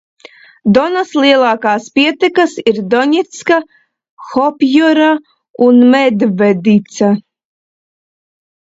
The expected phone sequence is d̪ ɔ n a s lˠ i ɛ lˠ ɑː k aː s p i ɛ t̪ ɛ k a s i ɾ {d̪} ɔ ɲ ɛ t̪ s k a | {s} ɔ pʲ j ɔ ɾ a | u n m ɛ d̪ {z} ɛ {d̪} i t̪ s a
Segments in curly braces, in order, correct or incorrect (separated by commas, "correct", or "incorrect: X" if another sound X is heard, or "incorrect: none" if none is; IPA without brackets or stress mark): correct, incorrect: x, incorrect: v, correct